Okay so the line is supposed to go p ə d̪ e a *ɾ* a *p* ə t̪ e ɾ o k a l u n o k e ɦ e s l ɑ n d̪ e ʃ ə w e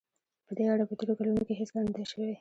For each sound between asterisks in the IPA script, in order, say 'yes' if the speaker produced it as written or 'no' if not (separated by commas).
no, yes